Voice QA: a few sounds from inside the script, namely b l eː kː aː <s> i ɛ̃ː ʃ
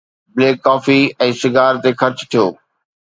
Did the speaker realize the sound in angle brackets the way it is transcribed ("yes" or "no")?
no